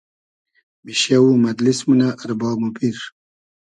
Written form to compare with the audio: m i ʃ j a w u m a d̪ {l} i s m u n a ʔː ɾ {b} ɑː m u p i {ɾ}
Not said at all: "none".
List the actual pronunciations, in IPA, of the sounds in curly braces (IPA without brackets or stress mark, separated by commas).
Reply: l, b, ɾ